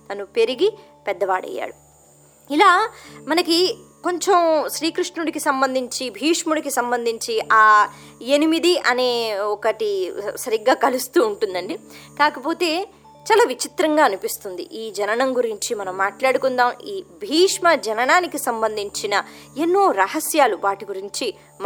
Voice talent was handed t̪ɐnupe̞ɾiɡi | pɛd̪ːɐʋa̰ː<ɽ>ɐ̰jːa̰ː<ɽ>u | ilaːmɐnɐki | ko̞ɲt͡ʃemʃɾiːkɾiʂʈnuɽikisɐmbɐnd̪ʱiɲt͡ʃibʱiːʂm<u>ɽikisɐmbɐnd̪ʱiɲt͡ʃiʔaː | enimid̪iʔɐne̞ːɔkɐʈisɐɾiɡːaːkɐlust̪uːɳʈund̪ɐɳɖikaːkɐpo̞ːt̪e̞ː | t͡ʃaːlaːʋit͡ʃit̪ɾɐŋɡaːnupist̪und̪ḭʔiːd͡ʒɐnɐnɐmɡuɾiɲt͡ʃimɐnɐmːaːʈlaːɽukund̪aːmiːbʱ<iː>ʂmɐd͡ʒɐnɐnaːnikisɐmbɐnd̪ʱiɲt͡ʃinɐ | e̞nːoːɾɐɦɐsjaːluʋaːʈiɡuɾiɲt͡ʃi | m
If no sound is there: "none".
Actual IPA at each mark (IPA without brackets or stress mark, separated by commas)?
ɽ, ɽ, u, iː